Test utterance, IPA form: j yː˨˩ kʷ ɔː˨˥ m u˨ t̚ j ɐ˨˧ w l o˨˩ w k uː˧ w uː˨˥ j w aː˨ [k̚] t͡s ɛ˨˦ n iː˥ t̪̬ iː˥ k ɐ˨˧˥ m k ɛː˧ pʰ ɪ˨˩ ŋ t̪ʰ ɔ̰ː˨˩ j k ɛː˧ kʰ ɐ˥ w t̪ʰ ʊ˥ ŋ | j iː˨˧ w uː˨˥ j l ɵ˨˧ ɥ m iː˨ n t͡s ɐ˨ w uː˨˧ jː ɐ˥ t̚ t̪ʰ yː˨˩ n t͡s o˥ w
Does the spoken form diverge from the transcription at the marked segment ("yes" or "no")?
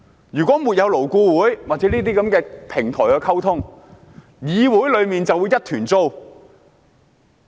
yes